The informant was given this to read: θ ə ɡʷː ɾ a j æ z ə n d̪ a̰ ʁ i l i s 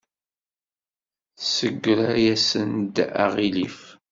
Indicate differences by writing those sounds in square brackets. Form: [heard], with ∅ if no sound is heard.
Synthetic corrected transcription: [s] ə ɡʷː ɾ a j æ [s] ə n d̪ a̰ ʁ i l i [f]